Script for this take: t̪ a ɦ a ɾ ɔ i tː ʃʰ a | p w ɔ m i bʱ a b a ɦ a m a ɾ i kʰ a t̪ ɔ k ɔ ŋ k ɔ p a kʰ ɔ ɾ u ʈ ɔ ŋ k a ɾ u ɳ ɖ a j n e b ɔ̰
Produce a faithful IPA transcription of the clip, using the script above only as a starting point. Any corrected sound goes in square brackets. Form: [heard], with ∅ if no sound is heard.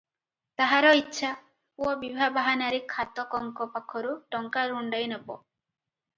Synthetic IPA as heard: t̪ a ɦ a ɾ ɔ i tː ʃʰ a | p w ɔ [b] i bʱ a b a ɦ a [n] a ɾ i kʰ a t̪ ɔ k ɔ ŋ k ɔ p a kʰ ɔ ɾ u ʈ ɔ ŋ k a ɾ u ɳ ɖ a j n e b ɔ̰